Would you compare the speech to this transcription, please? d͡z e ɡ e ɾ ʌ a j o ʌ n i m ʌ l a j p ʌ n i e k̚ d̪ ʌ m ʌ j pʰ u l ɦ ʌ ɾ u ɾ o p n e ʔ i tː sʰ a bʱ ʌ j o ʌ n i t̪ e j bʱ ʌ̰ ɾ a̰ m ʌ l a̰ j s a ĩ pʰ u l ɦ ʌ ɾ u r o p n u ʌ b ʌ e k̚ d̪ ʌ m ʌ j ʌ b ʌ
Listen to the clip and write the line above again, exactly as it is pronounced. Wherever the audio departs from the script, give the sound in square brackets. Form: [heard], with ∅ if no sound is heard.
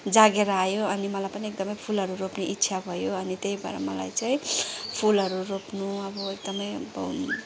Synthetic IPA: d͡z [a] ɡ e ɾ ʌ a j o ʌ n i m ʌ l a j p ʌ n i e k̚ d̪ ʌ m ʌ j pʰ u l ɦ ʌ ɾ u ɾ o p n e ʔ i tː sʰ a bʱ ʌ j o ʌ n i t̪ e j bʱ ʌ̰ ɾ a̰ m ʌ l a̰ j [t͡s] a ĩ pʰ u l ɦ ʌ ɾ u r o p n u ʌ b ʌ e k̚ d̪ ʌ m ʌ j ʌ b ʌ